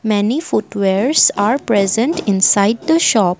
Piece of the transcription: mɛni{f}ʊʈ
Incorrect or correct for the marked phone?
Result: correct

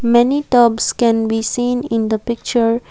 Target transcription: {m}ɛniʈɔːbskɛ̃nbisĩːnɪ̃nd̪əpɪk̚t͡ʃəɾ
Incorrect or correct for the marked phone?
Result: correct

